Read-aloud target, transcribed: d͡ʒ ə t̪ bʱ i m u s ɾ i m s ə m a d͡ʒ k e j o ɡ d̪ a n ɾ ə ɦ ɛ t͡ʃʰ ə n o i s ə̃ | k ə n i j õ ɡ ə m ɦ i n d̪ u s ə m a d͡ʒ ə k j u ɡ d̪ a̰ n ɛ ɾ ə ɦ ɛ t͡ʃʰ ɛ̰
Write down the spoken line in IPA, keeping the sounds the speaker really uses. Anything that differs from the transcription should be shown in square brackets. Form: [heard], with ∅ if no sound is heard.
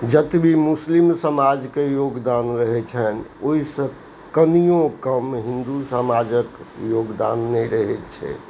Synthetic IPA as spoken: d͡ʒ ə t̪ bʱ i m u s [l] i m s ə m a d͡ʒ k e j o ɡ d̪ a n ɾ ə ɦ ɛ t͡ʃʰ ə n o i s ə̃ | k ə n i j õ [k] ə m ɦ i n d̪ u s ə m a d͡ʒ ə k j [o] ɡ d̪ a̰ [nː] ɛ ɾ ə ɦ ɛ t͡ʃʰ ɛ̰